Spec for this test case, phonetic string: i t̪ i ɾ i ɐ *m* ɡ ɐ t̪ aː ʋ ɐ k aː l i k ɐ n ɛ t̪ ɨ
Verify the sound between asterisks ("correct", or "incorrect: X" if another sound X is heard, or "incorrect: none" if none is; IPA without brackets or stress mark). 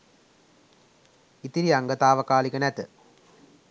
incorrect: ŋ